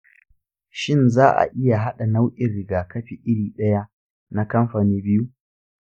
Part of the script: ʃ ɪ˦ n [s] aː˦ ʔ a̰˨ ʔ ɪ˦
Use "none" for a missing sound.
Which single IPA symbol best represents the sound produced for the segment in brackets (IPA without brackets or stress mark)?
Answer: z